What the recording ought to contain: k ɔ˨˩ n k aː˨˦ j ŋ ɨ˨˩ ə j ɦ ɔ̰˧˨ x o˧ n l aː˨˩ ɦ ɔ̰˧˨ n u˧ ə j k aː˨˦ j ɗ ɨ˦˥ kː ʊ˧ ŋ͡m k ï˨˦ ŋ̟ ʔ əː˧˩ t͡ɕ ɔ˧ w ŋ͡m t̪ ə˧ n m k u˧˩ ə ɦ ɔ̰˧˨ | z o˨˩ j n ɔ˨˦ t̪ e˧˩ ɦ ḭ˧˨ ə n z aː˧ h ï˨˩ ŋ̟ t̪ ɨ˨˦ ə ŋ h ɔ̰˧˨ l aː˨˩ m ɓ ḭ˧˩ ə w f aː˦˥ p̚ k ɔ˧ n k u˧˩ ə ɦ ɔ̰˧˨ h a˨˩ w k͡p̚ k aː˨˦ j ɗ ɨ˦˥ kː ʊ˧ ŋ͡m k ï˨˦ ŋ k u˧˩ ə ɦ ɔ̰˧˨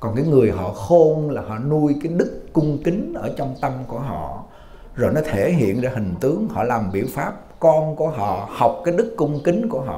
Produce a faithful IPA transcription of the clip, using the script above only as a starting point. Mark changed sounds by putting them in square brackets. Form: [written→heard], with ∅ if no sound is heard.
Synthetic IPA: k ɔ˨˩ n k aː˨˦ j ŋ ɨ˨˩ ə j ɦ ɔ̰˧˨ x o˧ n l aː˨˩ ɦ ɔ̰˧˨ n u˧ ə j k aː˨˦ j ɗ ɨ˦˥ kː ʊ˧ ŋ͡m k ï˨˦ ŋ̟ ʔ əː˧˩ t͡ɕ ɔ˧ w ŋ͡m t̪ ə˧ [n→∅] m k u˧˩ ə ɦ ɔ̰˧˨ | z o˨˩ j n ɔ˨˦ [t̪→t̪ʰ] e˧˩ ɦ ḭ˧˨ ə n z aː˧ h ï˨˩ ŋ̟ t̪ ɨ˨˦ ə ŋ h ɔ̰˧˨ l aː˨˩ m ɓ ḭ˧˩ ə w f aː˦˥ p̚ k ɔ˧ n k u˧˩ ə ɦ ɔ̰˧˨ h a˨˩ w k͡p̚ k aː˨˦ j ɗ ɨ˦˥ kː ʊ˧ ŋ͡m k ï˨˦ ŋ k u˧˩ ə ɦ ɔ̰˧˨